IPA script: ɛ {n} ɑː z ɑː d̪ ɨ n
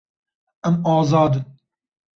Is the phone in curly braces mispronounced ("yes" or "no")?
yes